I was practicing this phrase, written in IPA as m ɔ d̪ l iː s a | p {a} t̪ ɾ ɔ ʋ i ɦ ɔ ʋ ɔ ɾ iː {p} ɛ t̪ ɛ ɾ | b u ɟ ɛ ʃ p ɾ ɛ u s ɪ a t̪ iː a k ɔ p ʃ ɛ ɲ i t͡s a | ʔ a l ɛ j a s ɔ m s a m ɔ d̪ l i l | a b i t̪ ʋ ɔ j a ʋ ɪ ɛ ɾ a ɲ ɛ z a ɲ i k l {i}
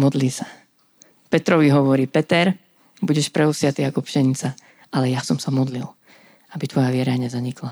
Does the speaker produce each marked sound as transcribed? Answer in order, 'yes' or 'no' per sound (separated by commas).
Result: no, yes, no